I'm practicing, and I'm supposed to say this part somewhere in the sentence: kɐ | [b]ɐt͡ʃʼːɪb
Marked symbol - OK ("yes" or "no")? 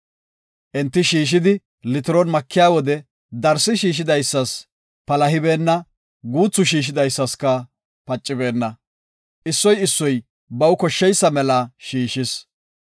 no